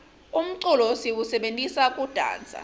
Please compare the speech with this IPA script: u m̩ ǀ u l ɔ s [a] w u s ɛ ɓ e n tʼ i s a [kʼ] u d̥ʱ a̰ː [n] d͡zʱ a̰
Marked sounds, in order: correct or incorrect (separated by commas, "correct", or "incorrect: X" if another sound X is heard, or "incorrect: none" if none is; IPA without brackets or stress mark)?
incorrect: i, correct, correct